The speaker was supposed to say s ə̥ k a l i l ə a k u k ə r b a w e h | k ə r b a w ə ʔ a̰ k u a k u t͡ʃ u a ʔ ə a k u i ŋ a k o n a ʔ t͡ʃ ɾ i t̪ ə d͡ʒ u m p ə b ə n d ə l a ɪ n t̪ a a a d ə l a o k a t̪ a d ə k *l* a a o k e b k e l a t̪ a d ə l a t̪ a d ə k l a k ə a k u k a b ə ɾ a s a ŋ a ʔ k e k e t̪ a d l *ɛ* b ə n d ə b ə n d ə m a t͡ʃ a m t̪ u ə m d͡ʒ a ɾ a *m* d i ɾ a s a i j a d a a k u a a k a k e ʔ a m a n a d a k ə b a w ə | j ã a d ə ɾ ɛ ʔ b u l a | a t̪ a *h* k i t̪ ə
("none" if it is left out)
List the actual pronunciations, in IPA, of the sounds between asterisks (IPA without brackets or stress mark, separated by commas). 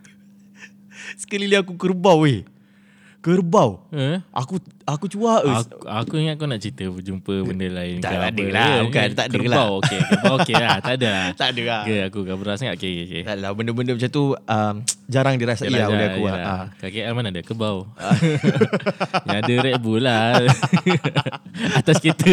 l, a, ŋ, s